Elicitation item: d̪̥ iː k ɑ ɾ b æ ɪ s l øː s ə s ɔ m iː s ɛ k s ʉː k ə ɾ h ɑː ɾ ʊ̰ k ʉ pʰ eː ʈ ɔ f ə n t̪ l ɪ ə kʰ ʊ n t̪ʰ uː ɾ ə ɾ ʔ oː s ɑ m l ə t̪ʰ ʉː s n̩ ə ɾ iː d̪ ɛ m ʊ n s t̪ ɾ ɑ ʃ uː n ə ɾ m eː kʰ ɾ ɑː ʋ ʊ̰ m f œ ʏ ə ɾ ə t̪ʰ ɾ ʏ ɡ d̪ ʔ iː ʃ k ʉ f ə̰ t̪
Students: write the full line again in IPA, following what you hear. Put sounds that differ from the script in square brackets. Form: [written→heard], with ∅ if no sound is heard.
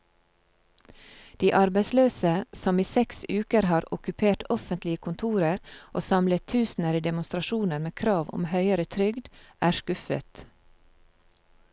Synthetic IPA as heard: d̪̥ iː [k→ʔ] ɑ ɾ b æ ɪ s l øː s ə s ɔ m iː s ɛ k s ʉː k ə ɾ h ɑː ɾ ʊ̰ k ʉ pʰ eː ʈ ɔ f ə n t̪ l ɪ ə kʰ ʊ n t̪ʰ uː ɾ ə ɾ ʔ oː s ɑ m l ə t̪ʰ ʉː s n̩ ə ɾ iː d̪ ɛ m ʊ n s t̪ ɾ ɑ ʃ uː n ə ɾ m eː kʰ ɾ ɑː ʋ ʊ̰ m [f→h] œ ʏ ə ɾ ə t̪ʰ ɾ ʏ ɡ d̪ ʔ [iː→æː] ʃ k ʉ f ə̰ t̪